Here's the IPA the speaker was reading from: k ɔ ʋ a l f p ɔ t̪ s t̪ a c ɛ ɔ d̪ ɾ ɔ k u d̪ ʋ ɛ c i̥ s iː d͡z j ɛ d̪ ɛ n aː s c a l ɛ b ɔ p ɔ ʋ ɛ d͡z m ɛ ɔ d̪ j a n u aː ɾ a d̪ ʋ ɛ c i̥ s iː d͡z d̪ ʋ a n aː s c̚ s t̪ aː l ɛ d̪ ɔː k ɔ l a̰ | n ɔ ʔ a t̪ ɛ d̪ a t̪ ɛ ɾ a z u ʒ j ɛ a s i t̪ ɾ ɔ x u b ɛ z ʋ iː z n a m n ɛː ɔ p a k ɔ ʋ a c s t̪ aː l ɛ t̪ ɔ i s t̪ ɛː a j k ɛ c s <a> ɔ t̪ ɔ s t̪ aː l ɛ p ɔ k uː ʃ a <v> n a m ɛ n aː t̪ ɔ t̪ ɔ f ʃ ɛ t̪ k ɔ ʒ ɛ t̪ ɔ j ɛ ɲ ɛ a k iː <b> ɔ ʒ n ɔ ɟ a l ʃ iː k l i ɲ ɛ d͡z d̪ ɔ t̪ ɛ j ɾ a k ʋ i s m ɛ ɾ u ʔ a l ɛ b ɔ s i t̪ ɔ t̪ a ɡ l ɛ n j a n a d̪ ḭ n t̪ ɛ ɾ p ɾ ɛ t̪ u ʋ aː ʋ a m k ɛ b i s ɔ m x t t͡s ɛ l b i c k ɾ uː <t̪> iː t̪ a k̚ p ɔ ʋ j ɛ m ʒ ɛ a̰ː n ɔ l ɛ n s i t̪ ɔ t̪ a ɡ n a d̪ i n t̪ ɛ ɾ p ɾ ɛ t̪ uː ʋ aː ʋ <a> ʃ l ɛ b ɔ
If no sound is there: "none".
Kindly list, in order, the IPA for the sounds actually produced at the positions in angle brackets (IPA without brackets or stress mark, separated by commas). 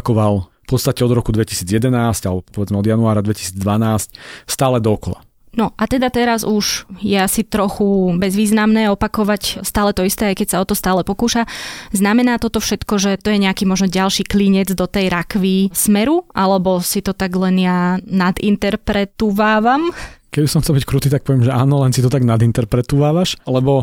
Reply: a, z, m, t̪, a